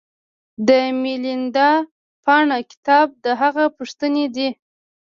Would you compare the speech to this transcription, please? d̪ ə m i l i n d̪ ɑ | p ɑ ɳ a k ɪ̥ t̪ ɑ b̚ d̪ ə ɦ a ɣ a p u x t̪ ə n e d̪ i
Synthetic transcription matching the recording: d̪ ə m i l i n d̪ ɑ | p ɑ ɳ a k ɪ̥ t̪ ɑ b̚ d̪ ə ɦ a ɣ a p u ʂ t̪ ə n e d̪ i